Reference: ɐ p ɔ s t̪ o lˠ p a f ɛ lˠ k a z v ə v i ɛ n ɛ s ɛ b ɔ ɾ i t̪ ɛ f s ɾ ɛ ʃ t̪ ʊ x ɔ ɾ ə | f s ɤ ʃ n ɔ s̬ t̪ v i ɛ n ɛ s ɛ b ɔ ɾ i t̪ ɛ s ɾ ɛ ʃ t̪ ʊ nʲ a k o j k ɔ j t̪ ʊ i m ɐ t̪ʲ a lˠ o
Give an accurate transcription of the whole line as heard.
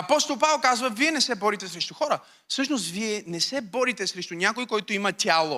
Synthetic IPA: ɐ p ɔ s t̪ o lˠ p a v ɛ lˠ k a z v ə v i ɛ n ɛ s ɛ b ɔ ɾ i t̪ ɛ s ɾ ɛ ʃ t̪ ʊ x ɔ ɾ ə | f s ɤ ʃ n o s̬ t̪ v i ɛ n ɛ s ɛ b ɔ ɾ i t̪ ɛ s ɾ ɛ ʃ t̪ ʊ nʲ a k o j k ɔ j t̪ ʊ i m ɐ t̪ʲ a lˠ o